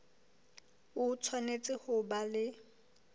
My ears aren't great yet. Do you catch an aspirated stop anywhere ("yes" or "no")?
yes